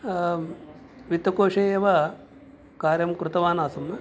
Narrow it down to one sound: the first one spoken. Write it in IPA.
ʋ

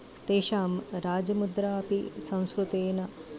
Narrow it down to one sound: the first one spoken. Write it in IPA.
t̪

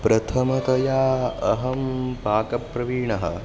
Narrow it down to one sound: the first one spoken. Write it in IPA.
p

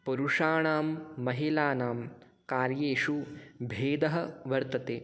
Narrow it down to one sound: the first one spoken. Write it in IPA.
p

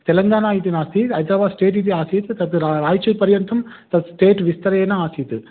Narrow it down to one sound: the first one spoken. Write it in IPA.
t̪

